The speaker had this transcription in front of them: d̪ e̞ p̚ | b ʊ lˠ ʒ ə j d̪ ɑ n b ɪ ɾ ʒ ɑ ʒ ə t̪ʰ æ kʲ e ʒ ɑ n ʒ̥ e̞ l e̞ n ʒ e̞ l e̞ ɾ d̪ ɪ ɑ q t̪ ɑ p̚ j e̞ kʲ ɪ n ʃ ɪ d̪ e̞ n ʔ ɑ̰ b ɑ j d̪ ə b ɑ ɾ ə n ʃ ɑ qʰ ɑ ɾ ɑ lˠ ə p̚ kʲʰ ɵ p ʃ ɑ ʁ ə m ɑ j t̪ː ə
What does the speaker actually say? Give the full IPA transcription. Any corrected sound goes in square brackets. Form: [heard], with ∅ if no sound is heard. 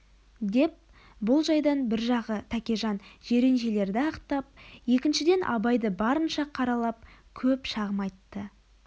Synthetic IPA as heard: d̪ e̞ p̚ | b ʊ lˠ ʒ [ɑ] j d̪ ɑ n b ɪ ɾ ʒ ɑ [ʁ] ə t̪ʰ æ kʲ e ʒ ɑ n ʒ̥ e̞ [ɾ] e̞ n ʒ e̞ l e̞ ɾ d̪ ɪ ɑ q t̪ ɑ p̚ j e̞ kʲ ɪ n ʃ ɪ d̪ e̞ n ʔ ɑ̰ b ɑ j d̪ ə b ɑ ɾ ə n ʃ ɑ qʰ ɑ ɾ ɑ lˠ [ɑ] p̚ kʲʰ ɵ p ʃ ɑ ʁ ə m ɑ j t̪ː ə